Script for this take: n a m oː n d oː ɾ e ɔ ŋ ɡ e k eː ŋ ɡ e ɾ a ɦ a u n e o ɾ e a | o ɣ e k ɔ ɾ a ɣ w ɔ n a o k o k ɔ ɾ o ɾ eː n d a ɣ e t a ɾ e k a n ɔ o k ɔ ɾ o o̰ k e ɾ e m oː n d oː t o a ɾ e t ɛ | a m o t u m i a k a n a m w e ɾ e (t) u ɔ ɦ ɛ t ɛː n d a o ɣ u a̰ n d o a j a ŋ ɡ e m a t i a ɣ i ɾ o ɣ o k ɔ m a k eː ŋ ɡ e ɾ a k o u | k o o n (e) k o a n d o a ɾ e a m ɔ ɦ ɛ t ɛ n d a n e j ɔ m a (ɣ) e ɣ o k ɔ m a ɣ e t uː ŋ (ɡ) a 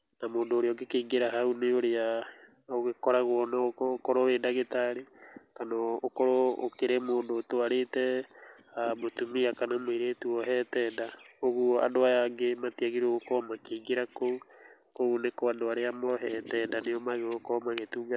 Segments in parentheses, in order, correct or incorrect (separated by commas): correct, correct, correct, correct